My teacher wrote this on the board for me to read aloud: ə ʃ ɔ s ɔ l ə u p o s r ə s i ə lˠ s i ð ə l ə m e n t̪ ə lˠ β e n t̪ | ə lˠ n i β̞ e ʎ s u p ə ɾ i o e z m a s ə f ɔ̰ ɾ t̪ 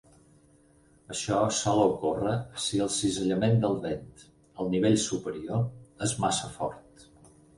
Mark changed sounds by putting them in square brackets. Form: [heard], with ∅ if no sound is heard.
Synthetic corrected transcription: ə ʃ ɔ s ɔ l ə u [k] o [∅] r ə s i ə lˠ s i [z] ə [ʎ] ə m e n [d̪] ə lˠ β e n t̪ | ə lˠ n i β̞ e ʎ s u p ə ɾ i o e z m a s ə f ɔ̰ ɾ t̪